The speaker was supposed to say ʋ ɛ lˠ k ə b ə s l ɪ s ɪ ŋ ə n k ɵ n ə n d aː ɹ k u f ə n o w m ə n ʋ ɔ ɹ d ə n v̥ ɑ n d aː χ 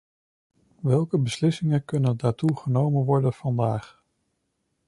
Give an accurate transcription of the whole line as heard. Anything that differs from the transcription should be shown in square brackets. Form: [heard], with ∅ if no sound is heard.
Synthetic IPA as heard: ʋ ɛ lˠ k ə b ə s l ɪ s ɪ ŋ ə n k ɵ n ə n d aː ɹ [t] u [χ] ə n o w m ə n ʋ ɔ ɹ d ə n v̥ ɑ n d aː χ